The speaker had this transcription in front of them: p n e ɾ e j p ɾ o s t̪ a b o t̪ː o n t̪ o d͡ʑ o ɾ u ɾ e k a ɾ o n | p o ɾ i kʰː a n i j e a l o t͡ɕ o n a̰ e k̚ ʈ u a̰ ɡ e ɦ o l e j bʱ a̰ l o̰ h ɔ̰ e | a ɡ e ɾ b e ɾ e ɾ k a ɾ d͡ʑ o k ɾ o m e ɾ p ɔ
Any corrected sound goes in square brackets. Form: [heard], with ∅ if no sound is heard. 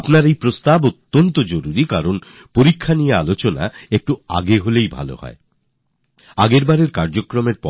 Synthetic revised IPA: p n [a] ɾ e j p ɾ o s t̪ a b o t̪ː o n t̪ o d͡ʑ o ɾ u ɾ [i] k a ɾ o n | p o ɾ i kʰː a n i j e a l o t͡ɕ o n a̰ e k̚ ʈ u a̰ ɡ e ɦ o l e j bʱ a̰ l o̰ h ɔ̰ e | a ɡ e ɾ b [a] ɾ e ɾ k a ɾ d͡ʑ o k ɾ o m e ɾ p ɔ